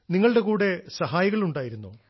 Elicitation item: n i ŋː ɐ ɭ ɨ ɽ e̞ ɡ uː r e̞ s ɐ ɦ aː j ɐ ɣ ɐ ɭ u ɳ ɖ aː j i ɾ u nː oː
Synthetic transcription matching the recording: n i ŋː ɐ ɭ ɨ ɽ e̞ k uː ɽ e̞ s ɐ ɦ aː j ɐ ɣ ɐ ɭ u ɳ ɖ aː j i ɾ u nː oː